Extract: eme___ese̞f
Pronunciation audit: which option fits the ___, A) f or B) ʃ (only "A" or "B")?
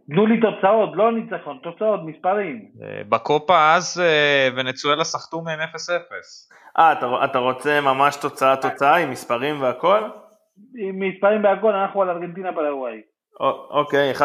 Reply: A